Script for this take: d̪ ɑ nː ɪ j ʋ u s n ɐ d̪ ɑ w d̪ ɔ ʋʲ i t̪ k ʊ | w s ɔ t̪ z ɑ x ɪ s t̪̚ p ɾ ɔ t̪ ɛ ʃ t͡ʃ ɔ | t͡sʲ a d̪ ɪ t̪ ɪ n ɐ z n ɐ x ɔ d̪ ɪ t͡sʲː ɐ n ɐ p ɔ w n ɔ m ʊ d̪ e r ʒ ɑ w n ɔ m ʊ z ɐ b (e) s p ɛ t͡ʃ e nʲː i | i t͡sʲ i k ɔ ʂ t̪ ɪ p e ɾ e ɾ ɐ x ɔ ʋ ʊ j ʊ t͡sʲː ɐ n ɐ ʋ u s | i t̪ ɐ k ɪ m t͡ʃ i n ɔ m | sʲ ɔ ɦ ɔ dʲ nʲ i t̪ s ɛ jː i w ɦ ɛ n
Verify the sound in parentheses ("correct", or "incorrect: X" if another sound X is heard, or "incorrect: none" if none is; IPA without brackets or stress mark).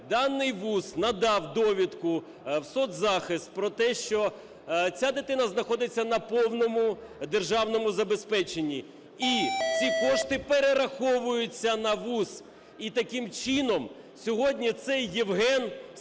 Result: correct